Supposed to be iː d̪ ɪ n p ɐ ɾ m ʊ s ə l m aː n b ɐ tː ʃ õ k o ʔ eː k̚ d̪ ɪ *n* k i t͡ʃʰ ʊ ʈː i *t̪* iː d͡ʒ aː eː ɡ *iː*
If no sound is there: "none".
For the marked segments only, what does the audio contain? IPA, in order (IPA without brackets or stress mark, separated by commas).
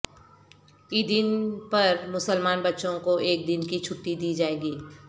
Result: n, d̪, iː